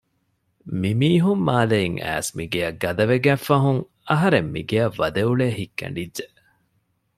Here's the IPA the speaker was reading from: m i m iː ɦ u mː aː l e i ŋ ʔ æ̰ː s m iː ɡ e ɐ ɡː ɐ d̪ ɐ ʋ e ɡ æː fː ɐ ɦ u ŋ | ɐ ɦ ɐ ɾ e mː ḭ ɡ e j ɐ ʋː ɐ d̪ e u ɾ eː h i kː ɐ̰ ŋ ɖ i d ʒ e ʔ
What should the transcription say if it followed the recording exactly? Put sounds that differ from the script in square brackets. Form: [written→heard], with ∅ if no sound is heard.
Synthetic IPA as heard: m i m iː ɦ u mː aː l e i ŋ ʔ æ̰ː s m [iː→i] ɡ e ɐ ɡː ɐ d̪ ɐ ʋ e ɡ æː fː ɐ ɦ u ŋ | ɐ ɦ ɐ ɾ e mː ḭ ɡ e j ɐ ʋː ɐ d̪ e u [ɾ→ɭ] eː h i kː ɐ̰ [ŋ→ɳ] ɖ i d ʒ e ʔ

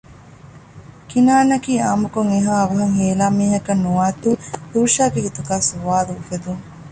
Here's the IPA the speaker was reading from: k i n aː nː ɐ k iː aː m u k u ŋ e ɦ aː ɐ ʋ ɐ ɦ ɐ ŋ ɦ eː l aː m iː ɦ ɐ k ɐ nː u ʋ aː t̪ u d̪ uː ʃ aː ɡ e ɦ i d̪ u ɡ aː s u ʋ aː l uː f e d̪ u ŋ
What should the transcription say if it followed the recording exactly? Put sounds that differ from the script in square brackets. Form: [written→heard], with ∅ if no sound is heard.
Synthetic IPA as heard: k i n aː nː ɐ k iː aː m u k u ŋ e ɦ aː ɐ ʋ ɐ ɦ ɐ ŋ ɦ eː l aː m iː ɦ ɐ k ɐ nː u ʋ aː t̪ u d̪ uː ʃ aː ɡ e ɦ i [d̪→t̪] u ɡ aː s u ʋ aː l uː f e d̪ u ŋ

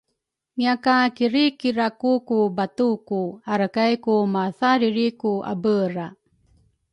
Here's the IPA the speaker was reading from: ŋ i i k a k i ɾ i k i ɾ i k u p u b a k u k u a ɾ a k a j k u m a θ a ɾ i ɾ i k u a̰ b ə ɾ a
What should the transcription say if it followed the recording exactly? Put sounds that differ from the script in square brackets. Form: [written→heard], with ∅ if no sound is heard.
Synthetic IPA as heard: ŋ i [i→a] k a k i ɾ i k i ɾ [i→a] k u [p→k] u b a [k→t] u k u a ɾ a k a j k u m a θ a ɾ i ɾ i k u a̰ b ə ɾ a

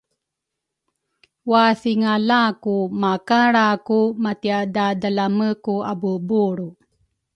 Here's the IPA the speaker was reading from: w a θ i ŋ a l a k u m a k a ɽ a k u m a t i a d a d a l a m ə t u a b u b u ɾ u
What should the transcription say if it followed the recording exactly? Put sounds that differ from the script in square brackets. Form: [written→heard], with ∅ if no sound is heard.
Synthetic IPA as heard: w a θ i ŋ a l a k u m a k a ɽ a k u m a t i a d a d a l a m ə [t→k] u a b u b u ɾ u

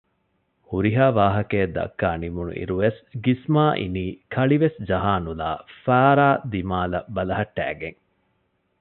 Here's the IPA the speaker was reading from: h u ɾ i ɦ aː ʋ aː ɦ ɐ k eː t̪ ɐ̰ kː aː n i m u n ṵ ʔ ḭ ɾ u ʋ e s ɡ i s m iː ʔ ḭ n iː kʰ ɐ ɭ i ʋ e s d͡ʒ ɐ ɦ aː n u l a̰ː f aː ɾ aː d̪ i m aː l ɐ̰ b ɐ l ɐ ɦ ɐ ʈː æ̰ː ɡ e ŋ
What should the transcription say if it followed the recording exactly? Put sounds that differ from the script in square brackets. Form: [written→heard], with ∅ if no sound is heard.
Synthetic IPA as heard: h u ɾ i ɦ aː ʋ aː ɦ ɐ k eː [t̪→d̪] ɐ̰ kː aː n i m u n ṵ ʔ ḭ ɾ u ʋ e s ɡ i s m [iː→aː] ʔ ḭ n iː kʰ ɐ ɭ i ʋ e s d͡ʒ ɐ ɦ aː n u l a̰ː f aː ɾ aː d̪ i m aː l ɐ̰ b ɐ l ɐ ɦ ɐ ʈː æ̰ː ɡ e ŋ

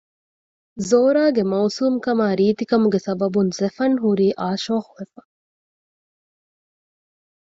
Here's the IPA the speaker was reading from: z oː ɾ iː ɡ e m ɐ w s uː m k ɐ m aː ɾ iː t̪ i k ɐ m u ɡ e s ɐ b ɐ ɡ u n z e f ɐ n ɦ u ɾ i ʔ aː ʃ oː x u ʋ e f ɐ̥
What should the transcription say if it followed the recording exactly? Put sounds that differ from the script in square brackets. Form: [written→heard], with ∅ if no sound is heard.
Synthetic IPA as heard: z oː ɾ [iː→aː] ɡ e m ɐ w s uː m k ɐ m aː ɾ iː t̪ i k ɐ m u ɡ e s ɐ b ɐ [ɡ→b] u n z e f ɐ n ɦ u ɾ [i→iː] ʔ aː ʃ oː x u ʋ e f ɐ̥

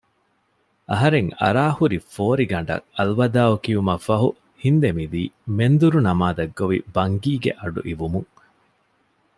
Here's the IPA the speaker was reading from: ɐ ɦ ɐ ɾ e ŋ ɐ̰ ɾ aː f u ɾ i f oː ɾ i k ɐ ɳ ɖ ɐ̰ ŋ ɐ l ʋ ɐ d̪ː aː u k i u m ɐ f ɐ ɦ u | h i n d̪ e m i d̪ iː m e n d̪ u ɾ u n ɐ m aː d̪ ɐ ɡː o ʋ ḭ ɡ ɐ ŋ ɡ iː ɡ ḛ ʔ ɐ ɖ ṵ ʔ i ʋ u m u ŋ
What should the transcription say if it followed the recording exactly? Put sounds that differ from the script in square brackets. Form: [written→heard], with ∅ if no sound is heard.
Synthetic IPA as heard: ɐ ɦ ɐ ɾ e ŋ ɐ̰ ɾ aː [f→h] u ɾ i f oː ɾ i [k→ɡ] ɐ ɳ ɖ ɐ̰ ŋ ɐ l ʋ ɐ [d̪ː→d̪] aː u k i u m ɐ f ɐ ɦ u | h i n d̪ e m i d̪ iː m e n d̪ u ɾ u n ɐ m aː d̪ ɐ ɡː o ʋ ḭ [ɡ→b] ɐ ŋ ɡ iː ɡ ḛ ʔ ɐ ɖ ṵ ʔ i ʋ u m u ŋ

